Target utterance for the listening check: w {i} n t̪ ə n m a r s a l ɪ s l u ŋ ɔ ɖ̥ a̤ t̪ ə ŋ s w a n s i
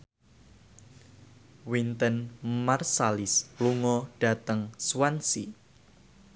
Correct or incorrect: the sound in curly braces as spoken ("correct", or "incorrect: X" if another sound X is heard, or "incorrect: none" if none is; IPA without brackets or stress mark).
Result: correct